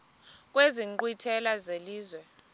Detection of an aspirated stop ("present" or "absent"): present